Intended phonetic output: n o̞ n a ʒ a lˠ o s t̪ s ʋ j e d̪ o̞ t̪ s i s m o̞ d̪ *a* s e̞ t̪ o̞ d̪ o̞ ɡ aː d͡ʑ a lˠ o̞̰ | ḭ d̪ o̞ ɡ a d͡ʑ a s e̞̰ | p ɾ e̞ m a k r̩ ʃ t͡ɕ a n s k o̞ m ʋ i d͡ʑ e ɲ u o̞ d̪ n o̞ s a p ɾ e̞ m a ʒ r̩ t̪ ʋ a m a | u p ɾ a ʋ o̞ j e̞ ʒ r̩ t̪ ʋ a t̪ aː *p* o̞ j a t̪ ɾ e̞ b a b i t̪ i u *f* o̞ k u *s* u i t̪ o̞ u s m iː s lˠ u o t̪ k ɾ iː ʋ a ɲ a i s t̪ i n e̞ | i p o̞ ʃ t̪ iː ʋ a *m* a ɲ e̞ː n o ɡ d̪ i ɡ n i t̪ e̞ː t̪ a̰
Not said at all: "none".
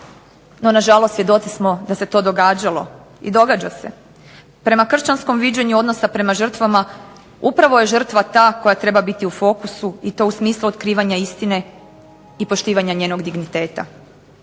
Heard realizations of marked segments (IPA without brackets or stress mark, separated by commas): a, k, f, s, ɲ